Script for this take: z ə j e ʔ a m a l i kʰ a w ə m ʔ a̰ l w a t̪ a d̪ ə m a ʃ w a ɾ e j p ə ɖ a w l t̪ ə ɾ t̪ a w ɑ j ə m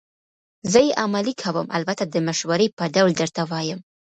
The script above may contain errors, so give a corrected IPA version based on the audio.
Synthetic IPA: z ə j e ʔ a m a l i kʰ a w ə m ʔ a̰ l b a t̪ a d̪ ə m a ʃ w a ɾ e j p ə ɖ a w l d̪ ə ɾ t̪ a w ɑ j ə m